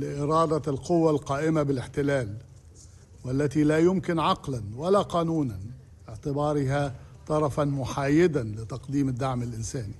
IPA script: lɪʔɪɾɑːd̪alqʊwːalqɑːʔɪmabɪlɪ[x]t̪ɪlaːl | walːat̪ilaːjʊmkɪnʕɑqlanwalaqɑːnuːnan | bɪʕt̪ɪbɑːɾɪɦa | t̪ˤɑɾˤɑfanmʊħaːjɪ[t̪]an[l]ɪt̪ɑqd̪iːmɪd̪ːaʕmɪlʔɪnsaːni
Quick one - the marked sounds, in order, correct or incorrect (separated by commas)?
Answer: incorrect, incorrect, correct